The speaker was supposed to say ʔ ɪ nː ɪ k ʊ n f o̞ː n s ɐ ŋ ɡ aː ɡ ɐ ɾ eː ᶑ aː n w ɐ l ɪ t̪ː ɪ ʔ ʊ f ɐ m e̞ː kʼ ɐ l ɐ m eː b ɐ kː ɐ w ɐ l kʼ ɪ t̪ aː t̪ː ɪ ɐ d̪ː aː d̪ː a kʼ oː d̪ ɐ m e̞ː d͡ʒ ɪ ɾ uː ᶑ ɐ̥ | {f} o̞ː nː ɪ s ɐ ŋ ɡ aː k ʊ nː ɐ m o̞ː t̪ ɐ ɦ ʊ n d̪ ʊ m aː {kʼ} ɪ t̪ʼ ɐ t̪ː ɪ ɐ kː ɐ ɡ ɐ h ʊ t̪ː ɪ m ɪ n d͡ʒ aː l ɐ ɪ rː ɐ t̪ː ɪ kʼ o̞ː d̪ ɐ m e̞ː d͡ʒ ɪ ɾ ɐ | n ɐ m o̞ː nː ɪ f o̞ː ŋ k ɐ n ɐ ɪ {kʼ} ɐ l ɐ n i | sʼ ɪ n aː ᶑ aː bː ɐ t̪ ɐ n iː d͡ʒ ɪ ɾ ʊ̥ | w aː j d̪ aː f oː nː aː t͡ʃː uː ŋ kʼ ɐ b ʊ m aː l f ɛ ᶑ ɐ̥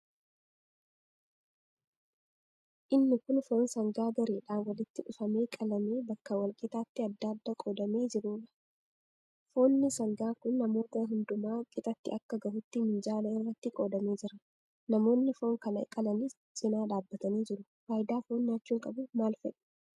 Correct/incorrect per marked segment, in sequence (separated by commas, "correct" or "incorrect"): correct, correct, correct